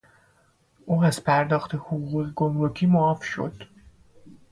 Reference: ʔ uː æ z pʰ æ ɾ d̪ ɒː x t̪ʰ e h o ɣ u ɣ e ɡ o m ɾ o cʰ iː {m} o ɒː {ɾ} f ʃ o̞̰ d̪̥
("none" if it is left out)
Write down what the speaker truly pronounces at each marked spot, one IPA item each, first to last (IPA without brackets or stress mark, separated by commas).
m, none